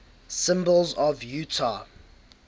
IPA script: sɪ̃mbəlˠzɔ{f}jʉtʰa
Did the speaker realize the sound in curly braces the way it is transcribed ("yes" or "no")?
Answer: no